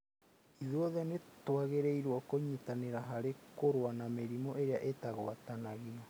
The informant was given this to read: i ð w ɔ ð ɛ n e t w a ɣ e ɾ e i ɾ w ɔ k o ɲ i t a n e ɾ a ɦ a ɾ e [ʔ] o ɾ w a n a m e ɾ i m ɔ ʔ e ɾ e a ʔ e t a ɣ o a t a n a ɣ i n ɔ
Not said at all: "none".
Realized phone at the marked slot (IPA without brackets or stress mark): k